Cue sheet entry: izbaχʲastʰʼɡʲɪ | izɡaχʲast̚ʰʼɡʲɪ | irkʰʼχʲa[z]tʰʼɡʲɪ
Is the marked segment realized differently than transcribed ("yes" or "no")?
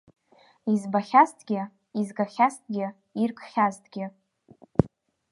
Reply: no